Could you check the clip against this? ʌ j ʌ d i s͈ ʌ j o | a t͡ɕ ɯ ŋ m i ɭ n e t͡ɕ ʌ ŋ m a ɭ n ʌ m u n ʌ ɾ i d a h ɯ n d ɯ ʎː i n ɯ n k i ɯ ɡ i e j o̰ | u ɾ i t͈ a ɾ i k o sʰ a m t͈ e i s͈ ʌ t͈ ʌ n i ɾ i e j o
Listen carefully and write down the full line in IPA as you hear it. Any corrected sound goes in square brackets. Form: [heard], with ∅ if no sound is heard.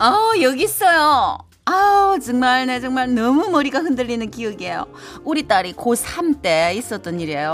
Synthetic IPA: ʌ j ʌ [ɡ] i s͈ ʌ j o | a t͡ɕ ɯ ŋ m [a] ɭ n e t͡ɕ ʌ ŋ m a ɭ n ʌ m u [m] ʌ ɾ i [ɡ] a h ɯ n d ɯ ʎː i n ɯ n k i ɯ ɡ i e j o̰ | u ɾ i t͈ a ɾ i k o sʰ a m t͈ e i s͈ ʌ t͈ ʌ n i ɾ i e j o